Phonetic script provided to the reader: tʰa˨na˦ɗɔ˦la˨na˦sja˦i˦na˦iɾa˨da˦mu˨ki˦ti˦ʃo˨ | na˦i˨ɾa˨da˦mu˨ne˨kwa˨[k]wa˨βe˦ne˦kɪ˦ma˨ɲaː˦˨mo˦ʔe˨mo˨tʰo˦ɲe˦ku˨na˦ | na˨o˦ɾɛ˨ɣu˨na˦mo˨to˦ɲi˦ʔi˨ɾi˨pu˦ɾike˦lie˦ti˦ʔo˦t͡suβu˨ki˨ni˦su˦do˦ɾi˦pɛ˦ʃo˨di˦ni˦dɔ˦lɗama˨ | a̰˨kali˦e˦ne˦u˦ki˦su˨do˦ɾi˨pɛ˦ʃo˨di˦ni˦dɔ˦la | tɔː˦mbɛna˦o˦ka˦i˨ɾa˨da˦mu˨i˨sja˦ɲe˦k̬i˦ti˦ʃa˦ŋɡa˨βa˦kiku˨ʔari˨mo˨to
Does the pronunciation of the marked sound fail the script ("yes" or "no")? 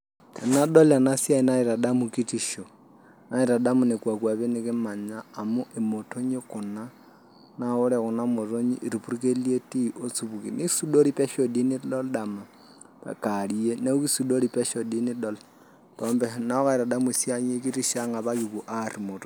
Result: no